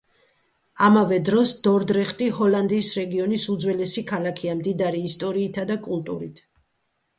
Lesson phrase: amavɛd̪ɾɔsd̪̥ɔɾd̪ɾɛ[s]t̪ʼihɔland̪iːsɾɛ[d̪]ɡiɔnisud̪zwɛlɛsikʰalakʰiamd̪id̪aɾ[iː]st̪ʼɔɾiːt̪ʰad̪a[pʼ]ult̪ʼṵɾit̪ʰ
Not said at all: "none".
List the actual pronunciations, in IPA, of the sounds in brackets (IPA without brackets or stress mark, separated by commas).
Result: χ, none, iː, kʼ